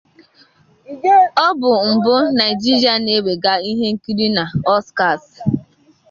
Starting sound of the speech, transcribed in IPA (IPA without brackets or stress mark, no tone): ɔ